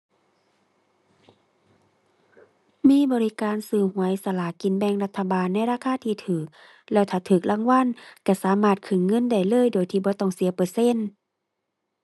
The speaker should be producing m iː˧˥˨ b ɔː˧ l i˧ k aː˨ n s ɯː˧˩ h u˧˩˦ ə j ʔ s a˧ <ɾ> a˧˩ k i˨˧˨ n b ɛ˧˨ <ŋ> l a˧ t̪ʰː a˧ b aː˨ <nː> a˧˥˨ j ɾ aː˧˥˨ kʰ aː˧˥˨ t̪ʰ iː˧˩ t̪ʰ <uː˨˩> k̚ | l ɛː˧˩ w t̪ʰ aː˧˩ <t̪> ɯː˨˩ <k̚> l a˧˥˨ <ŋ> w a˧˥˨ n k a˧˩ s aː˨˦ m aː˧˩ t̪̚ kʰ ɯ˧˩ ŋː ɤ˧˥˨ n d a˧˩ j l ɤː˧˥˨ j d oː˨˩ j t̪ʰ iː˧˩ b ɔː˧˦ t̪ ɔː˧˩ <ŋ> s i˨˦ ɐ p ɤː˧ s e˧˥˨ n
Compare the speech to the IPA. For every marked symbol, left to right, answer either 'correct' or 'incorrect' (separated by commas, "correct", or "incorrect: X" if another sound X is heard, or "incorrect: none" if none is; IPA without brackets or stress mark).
incorrect: l, correct, correct, incorrect: ɯː˨˩, incorrect: t̪ʰ, correct, correct, correct